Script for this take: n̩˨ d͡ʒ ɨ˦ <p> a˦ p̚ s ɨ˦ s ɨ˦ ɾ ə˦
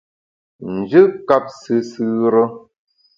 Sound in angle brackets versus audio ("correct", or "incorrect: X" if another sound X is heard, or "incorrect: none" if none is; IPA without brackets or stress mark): incorrect: k